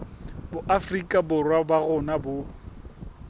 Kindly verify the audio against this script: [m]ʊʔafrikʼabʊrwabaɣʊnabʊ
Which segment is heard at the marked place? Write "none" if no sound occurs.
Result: b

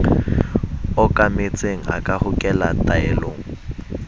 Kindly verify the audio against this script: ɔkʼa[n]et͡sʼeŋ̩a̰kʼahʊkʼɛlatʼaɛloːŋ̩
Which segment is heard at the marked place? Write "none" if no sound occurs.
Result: m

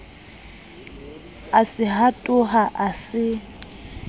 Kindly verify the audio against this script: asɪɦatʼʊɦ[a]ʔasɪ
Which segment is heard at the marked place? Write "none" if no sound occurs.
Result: a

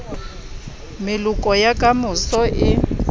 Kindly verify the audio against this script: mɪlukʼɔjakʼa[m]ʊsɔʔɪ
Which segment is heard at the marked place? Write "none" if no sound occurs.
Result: m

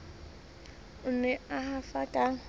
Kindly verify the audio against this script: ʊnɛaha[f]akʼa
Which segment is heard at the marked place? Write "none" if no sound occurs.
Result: f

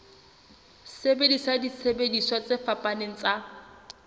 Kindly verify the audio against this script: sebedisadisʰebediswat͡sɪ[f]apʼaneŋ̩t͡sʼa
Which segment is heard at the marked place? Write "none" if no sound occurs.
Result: f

